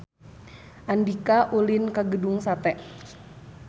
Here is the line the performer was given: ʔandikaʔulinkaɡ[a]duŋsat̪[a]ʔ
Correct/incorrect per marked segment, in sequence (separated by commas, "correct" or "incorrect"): incorrect, incorrect